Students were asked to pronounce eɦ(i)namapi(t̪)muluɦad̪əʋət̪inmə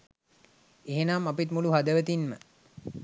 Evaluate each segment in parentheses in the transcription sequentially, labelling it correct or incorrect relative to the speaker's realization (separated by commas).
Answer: incorrect, correct